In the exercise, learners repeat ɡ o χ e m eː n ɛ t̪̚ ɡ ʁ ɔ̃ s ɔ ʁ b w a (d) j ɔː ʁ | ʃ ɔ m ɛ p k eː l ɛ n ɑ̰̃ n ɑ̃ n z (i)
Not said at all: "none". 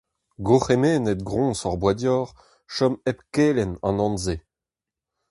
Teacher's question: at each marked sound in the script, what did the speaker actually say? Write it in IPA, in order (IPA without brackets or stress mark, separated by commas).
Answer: d, e